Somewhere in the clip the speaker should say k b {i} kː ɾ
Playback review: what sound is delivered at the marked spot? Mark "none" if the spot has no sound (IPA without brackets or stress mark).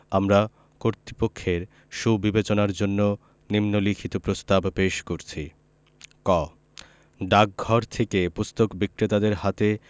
i